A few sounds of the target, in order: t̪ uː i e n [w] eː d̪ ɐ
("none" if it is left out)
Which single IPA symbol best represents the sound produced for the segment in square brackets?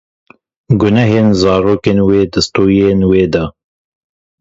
w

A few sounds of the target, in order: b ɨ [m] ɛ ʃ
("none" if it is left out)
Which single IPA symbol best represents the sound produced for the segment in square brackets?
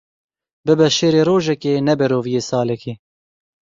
b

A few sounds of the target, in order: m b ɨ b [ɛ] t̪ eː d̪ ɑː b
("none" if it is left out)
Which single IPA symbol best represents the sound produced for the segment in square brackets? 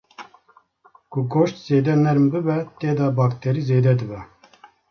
ɛ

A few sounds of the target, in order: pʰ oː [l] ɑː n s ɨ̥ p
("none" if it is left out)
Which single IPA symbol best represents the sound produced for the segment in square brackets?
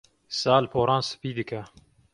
ɾ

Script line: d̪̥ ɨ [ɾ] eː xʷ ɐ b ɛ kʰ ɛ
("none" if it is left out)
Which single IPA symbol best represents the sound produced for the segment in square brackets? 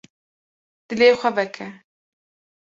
l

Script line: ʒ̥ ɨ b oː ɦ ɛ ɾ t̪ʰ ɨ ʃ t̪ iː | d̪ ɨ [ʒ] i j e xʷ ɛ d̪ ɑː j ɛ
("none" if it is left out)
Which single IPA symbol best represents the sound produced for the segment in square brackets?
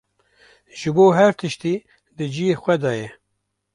d͡ʒ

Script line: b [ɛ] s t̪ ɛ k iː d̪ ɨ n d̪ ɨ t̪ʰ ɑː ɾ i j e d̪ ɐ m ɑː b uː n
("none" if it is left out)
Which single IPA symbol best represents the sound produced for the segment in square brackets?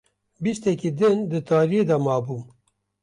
i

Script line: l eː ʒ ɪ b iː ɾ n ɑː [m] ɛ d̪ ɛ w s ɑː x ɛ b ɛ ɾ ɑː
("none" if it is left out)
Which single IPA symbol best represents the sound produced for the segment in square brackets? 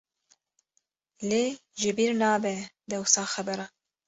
b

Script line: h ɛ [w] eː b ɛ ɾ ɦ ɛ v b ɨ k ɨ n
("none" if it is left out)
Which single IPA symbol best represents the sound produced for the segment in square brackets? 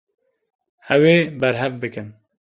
w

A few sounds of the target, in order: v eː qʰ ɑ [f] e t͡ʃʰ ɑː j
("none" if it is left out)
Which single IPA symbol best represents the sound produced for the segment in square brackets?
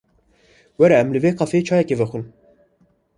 f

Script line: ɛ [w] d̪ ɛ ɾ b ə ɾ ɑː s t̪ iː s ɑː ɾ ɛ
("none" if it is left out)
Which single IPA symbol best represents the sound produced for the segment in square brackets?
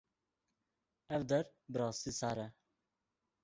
v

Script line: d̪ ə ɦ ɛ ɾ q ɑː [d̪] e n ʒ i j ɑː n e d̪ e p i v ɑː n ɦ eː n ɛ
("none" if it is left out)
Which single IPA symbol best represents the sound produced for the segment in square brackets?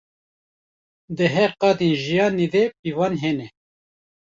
d̪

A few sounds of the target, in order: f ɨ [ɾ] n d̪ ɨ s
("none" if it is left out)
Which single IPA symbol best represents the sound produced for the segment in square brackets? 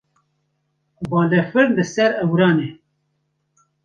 ɾ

